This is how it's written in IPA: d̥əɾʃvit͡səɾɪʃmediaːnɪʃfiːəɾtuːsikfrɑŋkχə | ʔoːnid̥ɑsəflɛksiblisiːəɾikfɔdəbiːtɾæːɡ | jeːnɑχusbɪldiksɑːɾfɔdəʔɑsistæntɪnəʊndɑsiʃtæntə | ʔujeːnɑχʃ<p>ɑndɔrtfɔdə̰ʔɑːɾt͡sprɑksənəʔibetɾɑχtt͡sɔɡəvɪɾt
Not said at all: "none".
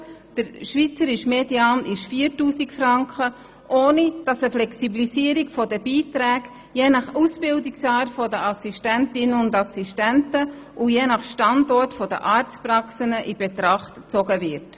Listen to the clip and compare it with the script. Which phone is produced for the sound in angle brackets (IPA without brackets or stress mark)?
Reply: t